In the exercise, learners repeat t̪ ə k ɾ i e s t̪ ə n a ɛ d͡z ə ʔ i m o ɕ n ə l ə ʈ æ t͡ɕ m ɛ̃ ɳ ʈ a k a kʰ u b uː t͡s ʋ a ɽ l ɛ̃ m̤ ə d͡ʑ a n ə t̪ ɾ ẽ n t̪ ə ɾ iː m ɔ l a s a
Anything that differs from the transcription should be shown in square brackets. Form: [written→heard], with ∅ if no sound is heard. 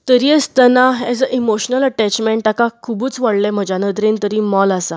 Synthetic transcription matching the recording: t̪ ə [k→∅] ɾ i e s t̪ ə n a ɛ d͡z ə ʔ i m o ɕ n ə l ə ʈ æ t͡ɕ m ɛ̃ ɳ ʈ a k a kʰ u b uː t͡s ʋ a ɽ l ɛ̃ m̤ ə d͡ʑ a n ə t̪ ɾ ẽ n t̪ ə ɾ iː m ɔ l a s a